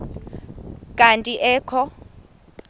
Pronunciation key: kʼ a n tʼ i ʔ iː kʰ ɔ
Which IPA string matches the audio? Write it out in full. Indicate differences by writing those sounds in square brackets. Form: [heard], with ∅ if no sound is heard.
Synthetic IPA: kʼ a n tʼ i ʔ [ɛː] kʰ ɔ